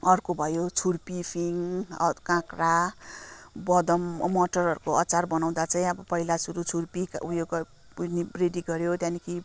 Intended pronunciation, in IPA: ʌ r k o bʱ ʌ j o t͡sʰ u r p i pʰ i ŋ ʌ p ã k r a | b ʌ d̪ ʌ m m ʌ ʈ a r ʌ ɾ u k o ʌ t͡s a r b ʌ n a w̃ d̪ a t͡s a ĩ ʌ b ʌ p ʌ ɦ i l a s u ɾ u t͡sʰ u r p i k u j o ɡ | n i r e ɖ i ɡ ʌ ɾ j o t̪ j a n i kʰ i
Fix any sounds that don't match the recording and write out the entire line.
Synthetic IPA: ʌ r k o bʱ ʌ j o t͡sʰ u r p i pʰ i ŋ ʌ k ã k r a | b ʌ d̪ ʌ m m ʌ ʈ ʌ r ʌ ɾ u k o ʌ t͡s a r b ʌ n a w̃ d̪ a t͡s a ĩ ʌ b ʌ p ʌ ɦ i l a s u ɾ u t͡sʰ u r p i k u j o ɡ | n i r e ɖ i ɡ ʌ ɾ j o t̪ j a n i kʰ i